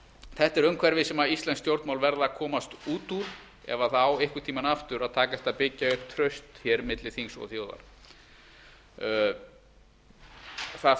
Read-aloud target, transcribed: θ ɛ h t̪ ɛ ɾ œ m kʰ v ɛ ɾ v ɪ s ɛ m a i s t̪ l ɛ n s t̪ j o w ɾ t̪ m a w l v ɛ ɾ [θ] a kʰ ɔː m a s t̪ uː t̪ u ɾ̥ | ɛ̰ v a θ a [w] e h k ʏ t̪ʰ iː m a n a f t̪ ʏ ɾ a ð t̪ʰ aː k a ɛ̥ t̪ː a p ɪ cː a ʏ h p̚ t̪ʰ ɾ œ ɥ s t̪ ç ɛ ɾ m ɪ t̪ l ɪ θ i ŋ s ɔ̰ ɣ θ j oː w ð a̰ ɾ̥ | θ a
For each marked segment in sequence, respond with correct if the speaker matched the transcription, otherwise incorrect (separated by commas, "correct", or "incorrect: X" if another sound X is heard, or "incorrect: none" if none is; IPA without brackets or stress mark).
incorrect: ð, correct